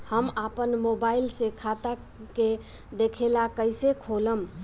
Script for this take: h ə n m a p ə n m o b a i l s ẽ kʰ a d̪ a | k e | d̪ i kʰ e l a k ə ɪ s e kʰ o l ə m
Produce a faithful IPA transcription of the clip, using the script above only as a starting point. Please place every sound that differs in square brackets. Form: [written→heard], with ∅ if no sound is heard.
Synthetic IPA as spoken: h ə [n→∅] m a p ə n m o b a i l s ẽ kʰ a [d̪→t̪] a | k e | d̪ [i→e] kʰ e l a k ə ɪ s e kʰ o l ə m